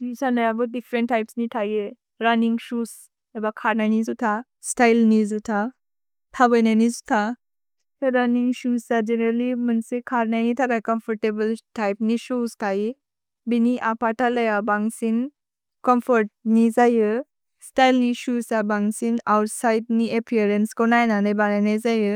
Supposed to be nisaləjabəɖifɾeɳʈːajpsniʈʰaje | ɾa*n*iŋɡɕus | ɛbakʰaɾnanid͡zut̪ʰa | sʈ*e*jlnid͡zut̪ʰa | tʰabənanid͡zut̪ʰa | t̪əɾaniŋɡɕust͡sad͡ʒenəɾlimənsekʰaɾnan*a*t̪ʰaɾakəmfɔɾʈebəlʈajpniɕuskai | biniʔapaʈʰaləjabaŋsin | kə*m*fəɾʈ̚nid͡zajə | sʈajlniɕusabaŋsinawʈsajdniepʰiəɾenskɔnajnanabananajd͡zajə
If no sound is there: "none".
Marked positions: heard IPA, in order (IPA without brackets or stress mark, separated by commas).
n, a, i, m